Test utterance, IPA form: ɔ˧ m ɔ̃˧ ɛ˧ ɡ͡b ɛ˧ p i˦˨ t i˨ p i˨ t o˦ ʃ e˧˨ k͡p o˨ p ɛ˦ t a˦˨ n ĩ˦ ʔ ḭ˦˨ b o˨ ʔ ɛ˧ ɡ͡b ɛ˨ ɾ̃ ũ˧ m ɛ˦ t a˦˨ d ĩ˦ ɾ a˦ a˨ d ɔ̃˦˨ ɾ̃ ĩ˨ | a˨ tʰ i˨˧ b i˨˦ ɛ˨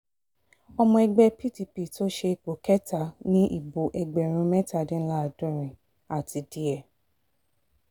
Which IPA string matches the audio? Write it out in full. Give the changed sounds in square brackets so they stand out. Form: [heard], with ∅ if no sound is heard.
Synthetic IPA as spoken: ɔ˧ m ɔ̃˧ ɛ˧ ɡ͡b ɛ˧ p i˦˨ t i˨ p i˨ t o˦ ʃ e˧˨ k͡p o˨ [k] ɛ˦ t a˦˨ n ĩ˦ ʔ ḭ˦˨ b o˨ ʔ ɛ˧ ɡ͡b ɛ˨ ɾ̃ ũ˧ m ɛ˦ t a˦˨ d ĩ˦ [l] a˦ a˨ d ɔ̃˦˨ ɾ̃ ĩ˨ | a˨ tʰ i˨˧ [d] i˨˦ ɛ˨